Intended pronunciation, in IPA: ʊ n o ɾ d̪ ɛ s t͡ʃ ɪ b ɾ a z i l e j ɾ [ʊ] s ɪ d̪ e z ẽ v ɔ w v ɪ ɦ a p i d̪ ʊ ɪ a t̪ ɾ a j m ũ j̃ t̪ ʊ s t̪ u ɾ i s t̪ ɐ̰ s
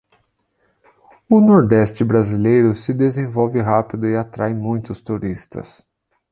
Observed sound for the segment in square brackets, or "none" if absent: ʊ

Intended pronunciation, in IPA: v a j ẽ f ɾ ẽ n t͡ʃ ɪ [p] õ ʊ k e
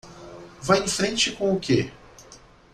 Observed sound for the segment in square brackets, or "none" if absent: k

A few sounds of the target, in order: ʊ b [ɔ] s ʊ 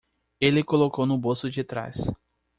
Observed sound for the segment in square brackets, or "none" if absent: o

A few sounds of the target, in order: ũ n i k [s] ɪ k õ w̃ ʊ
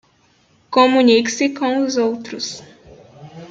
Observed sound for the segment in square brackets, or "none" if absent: s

